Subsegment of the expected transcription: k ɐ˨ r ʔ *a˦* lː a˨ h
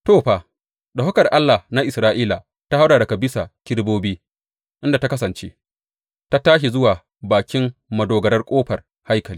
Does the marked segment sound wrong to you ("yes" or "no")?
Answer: no